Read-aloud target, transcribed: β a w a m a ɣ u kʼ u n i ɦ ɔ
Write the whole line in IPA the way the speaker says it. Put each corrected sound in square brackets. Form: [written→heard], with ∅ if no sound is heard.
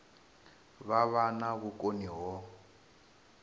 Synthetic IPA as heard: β a [w→β] a [m→n] a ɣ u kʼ [u→o] n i ɦ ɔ

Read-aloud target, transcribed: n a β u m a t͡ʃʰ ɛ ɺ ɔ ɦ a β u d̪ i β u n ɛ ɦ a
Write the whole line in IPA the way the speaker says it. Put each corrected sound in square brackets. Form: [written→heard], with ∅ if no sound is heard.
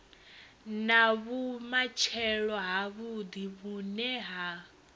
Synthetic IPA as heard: n a β u m a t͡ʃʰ ɛ ɺ ɔ ɦ a β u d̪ i β u n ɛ ɦ a

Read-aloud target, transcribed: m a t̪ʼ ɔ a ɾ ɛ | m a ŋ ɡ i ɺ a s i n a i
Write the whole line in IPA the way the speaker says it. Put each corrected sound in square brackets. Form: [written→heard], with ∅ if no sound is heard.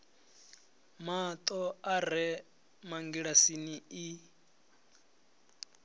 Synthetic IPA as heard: m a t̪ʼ ɔ a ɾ ɛ | m a ŋ ɡ i ɺ a s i n [a→i] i

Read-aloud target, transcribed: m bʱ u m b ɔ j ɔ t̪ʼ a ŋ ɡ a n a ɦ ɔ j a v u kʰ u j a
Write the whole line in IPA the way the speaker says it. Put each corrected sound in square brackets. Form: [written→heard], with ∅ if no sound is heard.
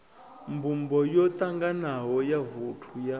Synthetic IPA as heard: m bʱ u m b ɔ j ɔ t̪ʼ a ŋ ɡ a n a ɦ ɔ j a v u [kʰ→tʰ] u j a

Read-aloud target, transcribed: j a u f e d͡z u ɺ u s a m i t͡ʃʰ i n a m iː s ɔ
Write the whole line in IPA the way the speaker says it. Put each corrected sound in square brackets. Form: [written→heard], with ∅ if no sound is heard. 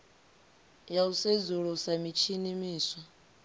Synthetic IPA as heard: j a u [f→s] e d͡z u ɺ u s a m i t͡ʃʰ i n [a→i] m iː s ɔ

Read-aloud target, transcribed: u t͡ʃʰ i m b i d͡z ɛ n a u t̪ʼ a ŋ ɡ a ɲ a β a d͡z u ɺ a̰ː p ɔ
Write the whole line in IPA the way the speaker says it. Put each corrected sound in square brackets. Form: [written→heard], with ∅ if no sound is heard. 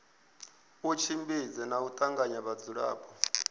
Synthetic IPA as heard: u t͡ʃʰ i m b i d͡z ɛ n a u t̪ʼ a ŋ ɡ a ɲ a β a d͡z u ɺ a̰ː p ɔ

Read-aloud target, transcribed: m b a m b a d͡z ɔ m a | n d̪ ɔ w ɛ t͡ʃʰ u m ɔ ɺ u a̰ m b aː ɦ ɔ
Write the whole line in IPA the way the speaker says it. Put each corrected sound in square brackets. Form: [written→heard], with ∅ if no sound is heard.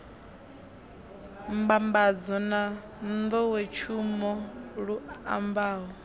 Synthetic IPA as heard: m b a m b a d͡z ɔ [m→n] a | n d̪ ɔ w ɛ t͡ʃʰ u m ɔ ɺ u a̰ m b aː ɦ ɔ

